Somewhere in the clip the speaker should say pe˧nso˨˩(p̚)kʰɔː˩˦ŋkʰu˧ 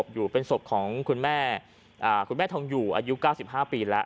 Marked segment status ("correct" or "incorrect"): correct